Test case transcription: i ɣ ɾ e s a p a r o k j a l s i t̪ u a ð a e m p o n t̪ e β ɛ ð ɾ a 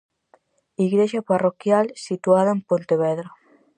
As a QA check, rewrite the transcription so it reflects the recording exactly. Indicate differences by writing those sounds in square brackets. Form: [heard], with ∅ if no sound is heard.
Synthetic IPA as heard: i ɣ ɾ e [ʃ] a p a r o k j a l s i t̪ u a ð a e m p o n t̪ e β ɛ ð ɾ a